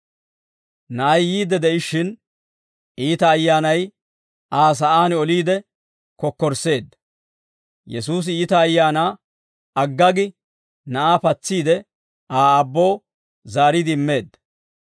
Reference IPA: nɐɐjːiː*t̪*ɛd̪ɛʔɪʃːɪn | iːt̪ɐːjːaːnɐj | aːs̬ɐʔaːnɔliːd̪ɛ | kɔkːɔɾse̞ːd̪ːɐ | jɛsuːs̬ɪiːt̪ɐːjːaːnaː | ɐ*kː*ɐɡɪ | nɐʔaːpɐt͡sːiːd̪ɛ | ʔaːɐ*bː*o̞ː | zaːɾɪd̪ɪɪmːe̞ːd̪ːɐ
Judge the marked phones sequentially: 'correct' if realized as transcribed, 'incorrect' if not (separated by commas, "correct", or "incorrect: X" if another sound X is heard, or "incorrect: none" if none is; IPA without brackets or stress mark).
incorrect: d̪, incorrect: ɡː, correct